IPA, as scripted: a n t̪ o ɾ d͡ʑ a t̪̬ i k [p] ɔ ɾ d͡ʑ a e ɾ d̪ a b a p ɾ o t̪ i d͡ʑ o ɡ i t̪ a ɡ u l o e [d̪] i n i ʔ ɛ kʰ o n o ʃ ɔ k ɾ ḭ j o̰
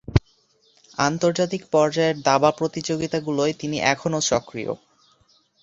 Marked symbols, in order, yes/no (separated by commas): yes, no